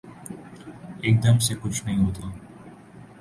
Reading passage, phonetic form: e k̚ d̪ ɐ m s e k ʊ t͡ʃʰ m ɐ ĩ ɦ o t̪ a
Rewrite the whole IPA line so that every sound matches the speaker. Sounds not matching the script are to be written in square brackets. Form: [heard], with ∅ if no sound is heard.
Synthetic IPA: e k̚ d̪ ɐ m s e k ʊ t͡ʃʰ [n] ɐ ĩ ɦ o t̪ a